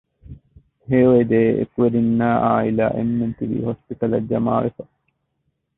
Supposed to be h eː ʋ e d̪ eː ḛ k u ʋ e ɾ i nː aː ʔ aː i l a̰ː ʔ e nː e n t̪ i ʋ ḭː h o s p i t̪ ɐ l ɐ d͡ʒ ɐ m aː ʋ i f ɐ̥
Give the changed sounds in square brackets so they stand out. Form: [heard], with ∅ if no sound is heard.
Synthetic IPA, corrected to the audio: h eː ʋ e d̪ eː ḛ k u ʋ e ɾ i nː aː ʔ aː i l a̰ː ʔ e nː e n t̪ i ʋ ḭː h o s p i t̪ ɐ l ɐ d͡ʒ ɐ m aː ʋ [e] f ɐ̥